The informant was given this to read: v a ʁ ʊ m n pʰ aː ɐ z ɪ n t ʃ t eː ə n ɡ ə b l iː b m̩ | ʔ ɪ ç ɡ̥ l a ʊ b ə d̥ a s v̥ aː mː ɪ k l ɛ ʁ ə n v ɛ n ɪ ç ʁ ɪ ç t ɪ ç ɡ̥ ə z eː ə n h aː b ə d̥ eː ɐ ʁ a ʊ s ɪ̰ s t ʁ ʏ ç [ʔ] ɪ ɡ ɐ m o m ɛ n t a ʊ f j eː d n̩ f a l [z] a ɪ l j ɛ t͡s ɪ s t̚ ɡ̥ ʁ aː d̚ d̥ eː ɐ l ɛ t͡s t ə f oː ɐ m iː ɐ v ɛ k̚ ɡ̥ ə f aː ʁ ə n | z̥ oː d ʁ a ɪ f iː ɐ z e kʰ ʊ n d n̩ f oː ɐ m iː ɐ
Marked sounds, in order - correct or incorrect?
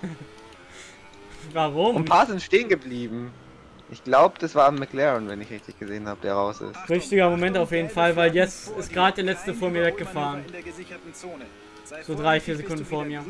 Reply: incorrect: t, incorrect: v

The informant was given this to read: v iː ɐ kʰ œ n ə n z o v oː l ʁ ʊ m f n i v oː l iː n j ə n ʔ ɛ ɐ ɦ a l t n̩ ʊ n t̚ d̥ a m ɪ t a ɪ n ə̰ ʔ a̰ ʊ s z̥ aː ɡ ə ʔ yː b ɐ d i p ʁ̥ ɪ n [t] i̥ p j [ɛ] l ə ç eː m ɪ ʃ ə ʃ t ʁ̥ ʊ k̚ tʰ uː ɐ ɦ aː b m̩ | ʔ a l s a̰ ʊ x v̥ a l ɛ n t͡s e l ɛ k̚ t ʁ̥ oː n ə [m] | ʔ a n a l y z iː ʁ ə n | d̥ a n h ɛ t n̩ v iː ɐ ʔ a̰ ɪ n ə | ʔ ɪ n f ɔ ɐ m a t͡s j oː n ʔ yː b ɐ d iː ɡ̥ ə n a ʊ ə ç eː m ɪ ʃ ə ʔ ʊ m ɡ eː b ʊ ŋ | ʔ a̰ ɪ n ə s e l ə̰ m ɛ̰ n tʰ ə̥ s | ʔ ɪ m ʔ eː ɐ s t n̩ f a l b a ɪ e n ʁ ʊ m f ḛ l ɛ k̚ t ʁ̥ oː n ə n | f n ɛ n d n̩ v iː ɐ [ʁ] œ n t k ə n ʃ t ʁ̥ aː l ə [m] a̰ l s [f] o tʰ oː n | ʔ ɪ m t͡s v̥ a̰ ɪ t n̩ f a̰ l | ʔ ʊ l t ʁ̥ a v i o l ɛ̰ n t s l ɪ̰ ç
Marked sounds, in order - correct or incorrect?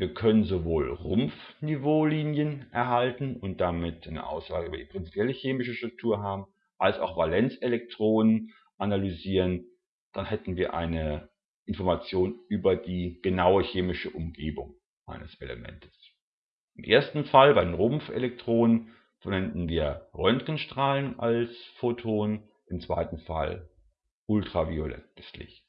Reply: incorrect: t͡s, correct, incorrect: n, correct, incorrect: n, correct

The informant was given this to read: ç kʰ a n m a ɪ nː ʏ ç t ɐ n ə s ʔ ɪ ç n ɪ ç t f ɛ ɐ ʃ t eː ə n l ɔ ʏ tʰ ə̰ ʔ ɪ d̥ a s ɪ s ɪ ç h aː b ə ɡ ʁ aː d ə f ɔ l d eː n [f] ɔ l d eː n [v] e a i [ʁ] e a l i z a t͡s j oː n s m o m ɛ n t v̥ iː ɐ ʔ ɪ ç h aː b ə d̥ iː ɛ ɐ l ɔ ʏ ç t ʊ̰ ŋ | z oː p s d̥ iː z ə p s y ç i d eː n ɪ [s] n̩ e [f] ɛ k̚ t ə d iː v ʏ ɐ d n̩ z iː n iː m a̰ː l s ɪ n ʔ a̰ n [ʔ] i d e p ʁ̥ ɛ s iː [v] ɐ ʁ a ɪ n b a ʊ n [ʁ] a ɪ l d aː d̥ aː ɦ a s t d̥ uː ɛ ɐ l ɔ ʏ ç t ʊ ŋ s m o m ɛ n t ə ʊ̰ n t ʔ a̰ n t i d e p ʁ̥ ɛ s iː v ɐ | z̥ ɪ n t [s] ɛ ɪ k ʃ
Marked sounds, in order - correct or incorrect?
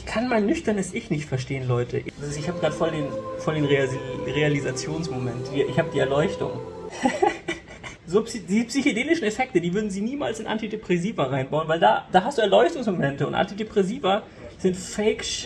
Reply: correct, incorrect: ʁ, correct, incorrect: ʃ, correct, incorrect: t, correct, incorrect: v, incorrect: f

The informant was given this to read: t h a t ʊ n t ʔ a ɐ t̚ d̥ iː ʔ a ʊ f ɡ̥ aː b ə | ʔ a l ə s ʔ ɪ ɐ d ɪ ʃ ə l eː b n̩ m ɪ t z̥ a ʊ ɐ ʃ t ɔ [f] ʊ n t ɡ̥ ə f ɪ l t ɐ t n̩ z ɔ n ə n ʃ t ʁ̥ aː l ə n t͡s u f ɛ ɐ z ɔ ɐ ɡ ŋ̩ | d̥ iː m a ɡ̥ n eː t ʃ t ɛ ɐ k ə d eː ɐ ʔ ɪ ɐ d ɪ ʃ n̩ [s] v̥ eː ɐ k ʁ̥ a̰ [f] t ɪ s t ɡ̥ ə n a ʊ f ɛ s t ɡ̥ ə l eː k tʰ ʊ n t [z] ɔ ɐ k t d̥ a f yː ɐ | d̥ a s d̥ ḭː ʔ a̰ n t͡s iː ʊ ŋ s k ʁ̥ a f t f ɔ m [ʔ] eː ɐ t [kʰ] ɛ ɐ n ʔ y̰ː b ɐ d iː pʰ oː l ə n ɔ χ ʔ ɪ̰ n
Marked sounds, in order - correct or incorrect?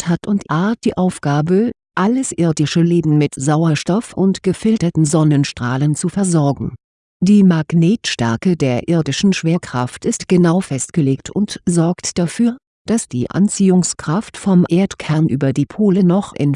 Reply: correct, incorrect: ʃ, correct, correct, correct, correct

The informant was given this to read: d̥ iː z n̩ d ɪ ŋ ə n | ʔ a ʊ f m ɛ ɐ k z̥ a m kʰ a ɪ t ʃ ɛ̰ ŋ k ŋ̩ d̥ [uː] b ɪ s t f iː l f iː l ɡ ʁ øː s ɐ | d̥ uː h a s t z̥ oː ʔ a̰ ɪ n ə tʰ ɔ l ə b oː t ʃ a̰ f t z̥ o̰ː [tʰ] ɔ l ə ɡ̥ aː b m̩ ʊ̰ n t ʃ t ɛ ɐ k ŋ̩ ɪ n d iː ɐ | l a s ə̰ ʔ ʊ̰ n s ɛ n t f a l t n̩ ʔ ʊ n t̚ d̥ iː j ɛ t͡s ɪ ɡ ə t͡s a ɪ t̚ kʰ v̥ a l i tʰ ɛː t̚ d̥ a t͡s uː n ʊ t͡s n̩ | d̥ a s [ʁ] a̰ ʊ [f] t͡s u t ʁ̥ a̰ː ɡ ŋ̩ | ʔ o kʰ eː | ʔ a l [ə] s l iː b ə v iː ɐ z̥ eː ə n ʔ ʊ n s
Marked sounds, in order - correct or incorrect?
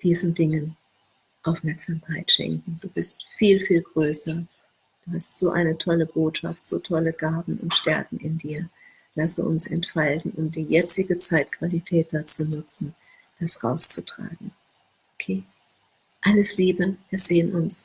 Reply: correct, correct, correct, incorrect: s, correct

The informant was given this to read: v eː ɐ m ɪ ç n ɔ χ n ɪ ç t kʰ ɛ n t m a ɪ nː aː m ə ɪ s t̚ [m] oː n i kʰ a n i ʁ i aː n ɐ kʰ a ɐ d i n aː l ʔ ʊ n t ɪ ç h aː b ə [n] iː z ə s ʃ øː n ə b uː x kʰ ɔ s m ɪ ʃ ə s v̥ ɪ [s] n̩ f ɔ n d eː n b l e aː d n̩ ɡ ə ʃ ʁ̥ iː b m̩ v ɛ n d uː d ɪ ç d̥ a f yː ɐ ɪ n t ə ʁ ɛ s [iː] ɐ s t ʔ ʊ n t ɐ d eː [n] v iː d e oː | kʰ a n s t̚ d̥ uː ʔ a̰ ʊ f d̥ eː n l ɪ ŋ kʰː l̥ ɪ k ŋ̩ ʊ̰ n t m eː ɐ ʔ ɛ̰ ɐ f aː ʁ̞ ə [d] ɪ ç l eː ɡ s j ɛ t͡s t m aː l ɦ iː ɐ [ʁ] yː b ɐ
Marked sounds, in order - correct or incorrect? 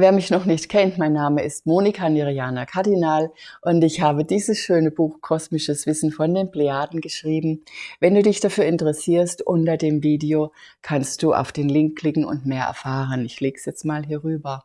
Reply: correct, incorrect: d, correct, correct, incorrect: m, incorrect: n, correct

